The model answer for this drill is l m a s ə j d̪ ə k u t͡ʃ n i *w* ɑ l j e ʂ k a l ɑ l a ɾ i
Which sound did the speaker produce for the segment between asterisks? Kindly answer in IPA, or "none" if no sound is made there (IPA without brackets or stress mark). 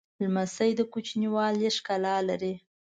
w